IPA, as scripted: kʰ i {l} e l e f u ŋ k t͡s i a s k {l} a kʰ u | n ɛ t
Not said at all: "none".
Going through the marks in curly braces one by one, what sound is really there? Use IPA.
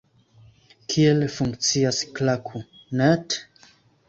none, l

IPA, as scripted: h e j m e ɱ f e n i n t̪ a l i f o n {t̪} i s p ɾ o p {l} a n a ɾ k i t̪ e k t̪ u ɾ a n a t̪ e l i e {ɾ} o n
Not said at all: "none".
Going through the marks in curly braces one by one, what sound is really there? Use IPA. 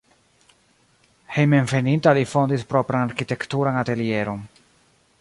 d̪, ɾ, ɾ

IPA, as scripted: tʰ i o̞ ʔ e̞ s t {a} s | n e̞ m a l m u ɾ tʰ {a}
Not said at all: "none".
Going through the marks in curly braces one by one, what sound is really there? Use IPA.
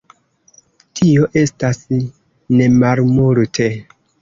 a, e

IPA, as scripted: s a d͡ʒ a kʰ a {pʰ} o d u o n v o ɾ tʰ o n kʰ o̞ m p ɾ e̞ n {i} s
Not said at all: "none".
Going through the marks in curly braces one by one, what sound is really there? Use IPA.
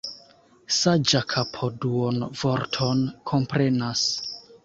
pʰ, a

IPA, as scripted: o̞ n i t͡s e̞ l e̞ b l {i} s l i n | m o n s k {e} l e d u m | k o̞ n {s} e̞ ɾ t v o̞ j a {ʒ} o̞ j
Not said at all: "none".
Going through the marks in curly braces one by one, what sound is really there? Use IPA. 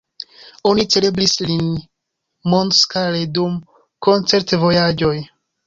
i, a, t͡s, d͡ʒ

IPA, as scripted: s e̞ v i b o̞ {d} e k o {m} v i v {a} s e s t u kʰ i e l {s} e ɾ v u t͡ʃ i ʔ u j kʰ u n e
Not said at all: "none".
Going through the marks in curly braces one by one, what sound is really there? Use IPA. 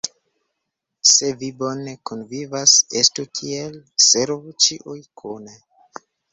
n, n, a, s

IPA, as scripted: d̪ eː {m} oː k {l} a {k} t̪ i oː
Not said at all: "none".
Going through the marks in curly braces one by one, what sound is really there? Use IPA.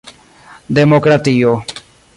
m, ɾ, none

